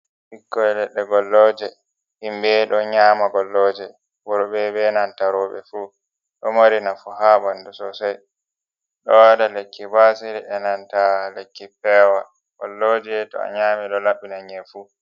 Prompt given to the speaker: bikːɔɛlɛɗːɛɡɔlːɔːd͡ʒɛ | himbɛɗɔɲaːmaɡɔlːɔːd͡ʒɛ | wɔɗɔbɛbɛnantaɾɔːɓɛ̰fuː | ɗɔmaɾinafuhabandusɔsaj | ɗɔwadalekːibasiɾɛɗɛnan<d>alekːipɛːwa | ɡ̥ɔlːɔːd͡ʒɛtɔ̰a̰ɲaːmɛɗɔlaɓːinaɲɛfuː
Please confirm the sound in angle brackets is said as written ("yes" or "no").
no